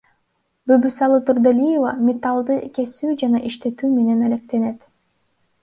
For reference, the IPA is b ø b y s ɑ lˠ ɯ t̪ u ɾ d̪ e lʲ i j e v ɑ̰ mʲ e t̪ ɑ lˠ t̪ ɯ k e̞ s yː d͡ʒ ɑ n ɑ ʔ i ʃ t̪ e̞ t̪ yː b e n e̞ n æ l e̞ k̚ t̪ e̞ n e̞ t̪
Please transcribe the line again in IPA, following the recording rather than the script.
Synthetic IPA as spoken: b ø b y s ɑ lˠ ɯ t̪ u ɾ d̪ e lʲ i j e v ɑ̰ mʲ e t̪ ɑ lˠ d̪ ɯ k e̞ s yː d͡ʒ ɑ n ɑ ʔ i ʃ t̪ e̞ t̪ yː m e n e̞ n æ l e̞ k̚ t̪ e̞ n e̞ t̪

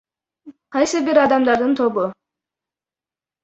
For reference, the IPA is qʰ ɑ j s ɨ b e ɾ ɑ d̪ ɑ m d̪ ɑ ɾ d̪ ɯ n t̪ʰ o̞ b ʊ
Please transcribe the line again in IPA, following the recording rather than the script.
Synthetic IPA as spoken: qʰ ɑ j s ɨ b i ɾ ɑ d̪ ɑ m d̪ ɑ ɾ d̪ ɯ n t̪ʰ o̞ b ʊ

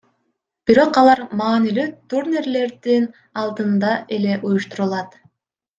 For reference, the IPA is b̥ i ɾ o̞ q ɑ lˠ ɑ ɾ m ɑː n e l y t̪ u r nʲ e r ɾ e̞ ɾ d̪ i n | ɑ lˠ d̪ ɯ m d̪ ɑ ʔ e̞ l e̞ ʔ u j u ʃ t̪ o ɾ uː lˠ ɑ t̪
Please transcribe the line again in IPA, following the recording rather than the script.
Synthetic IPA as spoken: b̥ i ɾ o̞ q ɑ lˠ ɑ ɾ m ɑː n i l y t̪ u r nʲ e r l e̞ ɾ d̪ i n | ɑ lˠ d̪ ɯ n d̪ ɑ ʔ e̞ l e̞ ʔ u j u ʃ t̪ u ɾ u lˠ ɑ t̪

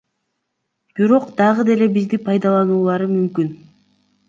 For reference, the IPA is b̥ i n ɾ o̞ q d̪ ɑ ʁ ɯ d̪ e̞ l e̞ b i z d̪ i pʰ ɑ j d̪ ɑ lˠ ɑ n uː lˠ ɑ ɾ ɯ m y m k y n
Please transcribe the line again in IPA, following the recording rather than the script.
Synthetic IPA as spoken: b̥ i ɾ o̞ q d̪ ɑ ʁ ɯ d̪ e̞ l e̞ b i z d̪ i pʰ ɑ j d̪ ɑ lˠ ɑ n uː lˠ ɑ ɾ ɯ m y m k y n

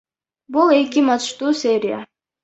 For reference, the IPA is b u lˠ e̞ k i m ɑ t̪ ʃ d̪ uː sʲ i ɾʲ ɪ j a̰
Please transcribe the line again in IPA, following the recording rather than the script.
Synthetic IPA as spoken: b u lˠ e̞ k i m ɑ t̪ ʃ t̪ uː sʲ e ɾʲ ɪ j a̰

